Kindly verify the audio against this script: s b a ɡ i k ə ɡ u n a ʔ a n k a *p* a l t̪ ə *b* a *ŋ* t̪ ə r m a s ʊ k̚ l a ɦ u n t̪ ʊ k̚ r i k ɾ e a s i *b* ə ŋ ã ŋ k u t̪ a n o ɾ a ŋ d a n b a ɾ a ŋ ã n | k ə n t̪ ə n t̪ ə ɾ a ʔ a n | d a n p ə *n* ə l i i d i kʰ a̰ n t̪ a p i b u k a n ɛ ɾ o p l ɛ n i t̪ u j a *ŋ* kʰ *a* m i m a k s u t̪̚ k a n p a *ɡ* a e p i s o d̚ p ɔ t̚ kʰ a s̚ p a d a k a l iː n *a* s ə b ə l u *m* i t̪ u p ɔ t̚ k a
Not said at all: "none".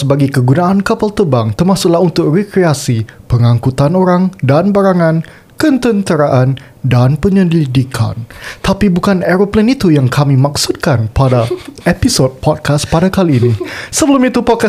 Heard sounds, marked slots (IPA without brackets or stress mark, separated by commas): p, b, ŋ, p, ɲ, ŋ, a, d, i, m